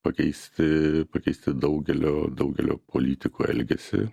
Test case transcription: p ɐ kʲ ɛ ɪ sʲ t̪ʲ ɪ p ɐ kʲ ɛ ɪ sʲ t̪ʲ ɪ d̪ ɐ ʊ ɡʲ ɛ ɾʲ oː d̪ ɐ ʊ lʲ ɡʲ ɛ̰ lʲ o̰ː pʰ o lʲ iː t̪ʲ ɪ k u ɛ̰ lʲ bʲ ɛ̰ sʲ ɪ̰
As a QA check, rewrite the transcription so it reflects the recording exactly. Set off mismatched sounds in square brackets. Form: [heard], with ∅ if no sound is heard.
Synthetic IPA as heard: p ɐ kʲ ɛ ɪ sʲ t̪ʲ ɪ p ɐ kʲ ɛ ɪ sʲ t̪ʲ ɪ d̪ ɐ ʊ ɡʲ ɛ [lʲ] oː d̪ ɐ ʊ [∅] ɡʲ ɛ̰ lʲ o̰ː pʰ o lʲ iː t̪ʲ ɪ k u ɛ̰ lʲ [ɡʲ] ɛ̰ sʲ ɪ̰